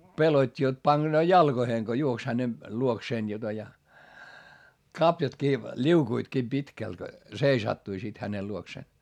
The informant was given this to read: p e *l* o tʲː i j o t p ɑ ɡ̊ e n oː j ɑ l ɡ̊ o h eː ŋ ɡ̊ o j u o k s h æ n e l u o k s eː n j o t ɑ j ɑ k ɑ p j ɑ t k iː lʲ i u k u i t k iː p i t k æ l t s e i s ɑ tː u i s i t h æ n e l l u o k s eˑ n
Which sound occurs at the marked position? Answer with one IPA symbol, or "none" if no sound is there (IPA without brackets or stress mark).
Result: l